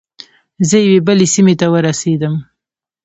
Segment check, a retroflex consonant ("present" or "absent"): absent